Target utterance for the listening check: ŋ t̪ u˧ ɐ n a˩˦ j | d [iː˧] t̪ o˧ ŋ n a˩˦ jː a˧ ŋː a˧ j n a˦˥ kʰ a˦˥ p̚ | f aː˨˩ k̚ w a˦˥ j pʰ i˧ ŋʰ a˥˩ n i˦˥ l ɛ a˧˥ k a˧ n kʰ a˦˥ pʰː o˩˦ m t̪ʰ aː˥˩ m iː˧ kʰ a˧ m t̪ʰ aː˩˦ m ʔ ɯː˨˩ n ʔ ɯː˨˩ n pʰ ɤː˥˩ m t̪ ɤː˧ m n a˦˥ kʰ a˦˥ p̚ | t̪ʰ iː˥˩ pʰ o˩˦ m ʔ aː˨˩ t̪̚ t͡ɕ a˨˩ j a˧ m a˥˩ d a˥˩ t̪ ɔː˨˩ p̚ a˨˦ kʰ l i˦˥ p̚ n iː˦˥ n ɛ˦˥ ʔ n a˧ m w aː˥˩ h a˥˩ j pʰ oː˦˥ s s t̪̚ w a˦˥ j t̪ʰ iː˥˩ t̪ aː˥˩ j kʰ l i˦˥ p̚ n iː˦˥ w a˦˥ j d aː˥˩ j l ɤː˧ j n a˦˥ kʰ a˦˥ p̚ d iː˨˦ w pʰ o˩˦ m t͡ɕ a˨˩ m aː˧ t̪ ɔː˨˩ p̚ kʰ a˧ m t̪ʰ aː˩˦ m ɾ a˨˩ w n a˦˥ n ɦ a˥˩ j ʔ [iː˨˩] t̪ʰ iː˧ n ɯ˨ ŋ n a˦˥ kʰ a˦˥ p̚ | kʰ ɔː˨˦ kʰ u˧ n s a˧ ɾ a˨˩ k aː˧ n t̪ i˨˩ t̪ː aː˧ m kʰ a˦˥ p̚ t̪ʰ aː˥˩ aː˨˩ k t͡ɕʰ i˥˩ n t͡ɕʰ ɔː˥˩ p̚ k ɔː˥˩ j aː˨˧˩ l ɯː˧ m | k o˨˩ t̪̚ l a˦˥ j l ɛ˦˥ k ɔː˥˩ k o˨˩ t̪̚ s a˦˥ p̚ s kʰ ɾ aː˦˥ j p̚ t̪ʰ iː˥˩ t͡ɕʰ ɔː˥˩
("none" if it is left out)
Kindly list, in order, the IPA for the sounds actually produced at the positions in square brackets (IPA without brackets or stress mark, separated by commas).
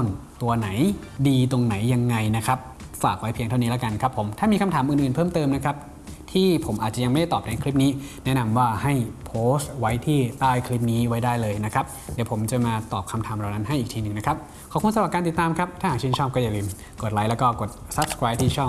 iː˧, iː˨˩